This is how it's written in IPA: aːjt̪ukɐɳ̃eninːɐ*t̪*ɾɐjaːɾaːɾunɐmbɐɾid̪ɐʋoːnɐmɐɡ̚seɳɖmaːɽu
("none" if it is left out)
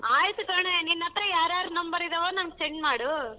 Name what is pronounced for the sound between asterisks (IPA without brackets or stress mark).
t̪